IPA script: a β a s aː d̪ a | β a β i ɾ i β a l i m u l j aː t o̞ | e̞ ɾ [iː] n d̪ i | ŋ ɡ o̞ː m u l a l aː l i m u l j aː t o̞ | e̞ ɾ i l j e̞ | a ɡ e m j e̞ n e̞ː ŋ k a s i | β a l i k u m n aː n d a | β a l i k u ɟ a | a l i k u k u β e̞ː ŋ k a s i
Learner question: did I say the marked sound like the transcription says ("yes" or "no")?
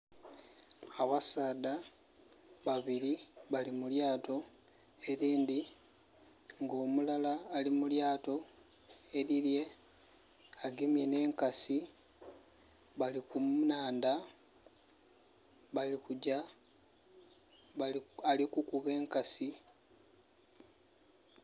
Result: yes